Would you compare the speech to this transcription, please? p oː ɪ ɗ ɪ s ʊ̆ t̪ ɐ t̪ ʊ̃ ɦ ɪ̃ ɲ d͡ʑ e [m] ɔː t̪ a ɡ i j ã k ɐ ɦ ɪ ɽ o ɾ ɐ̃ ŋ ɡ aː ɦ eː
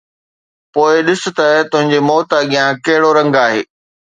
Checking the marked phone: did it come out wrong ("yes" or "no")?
no